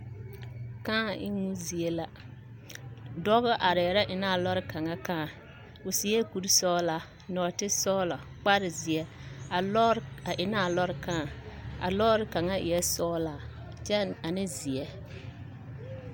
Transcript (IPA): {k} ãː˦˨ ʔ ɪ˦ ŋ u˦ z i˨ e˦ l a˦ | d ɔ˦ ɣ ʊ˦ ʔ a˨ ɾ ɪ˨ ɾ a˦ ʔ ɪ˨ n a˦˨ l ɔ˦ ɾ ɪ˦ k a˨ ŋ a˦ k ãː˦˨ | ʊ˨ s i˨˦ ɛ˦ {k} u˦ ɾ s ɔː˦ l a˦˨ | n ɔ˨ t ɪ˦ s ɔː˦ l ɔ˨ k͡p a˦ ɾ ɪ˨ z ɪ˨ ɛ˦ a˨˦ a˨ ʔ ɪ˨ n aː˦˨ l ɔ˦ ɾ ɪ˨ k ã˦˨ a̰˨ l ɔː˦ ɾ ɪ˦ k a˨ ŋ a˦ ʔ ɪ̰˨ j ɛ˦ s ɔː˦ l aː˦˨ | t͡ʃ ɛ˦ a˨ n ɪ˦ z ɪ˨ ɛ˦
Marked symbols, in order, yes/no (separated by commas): yes, yes